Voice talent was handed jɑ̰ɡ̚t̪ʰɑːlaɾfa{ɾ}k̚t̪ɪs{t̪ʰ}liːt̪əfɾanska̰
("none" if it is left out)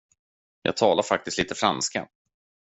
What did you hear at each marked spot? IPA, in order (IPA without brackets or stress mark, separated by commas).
none, t̪